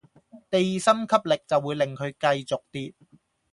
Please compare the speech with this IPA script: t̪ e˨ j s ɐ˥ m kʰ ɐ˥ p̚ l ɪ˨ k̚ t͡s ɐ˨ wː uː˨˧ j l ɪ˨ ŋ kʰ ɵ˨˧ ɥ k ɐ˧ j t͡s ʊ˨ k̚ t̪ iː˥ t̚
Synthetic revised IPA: t̪ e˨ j s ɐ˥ m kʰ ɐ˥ p̚ l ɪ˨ k̚ t͡s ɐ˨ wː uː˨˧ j l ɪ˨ ŋ kʰ ɵ˨˧ ɥ k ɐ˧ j t͡s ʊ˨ k̚ t̪ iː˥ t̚